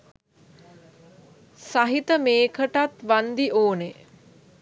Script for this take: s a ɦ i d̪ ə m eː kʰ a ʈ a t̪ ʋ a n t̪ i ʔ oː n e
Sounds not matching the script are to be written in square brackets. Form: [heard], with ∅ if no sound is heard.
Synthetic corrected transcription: s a ɦ i [t̪] ə m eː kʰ [ə] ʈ a t̪ ʋ a n [d̪] i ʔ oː n e